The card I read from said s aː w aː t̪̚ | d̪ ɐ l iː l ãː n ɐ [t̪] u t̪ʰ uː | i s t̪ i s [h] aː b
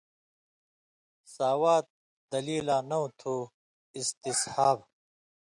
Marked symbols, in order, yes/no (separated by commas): no, yes